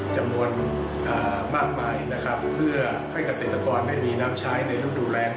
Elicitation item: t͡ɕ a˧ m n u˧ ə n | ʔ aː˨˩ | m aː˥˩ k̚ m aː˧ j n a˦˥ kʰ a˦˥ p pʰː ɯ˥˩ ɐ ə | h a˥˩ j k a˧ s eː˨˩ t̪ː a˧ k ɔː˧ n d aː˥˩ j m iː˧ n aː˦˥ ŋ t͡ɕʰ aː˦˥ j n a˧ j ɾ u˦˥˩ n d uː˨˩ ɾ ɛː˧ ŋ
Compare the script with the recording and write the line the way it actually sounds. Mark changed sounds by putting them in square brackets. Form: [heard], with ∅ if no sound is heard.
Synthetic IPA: t͡ɕ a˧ m n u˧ ə n | ʔ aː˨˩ | m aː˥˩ k̚ m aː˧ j n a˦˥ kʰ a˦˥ p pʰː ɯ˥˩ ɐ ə | h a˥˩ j k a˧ s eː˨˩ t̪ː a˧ k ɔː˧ n d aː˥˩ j m iː˧ n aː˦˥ [m] t͡ɕʰ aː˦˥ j n a˧ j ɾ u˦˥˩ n d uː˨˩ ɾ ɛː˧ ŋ